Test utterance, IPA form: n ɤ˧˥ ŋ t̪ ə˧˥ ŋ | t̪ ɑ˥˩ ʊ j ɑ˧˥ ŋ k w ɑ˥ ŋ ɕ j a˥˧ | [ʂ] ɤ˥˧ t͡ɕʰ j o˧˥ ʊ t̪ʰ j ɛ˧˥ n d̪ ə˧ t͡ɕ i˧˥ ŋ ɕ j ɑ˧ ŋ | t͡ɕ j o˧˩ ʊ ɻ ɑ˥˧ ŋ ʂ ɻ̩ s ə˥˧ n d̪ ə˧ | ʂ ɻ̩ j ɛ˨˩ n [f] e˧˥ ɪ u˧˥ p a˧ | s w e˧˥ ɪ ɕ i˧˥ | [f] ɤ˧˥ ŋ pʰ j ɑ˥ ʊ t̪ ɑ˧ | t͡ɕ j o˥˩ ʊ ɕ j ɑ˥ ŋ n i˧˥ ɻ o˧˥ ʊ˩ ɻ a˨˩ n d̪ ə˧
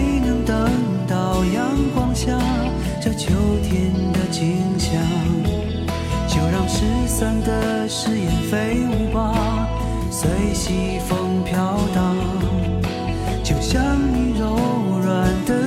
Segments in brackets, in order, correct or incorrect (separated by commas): incorrect, correct, correct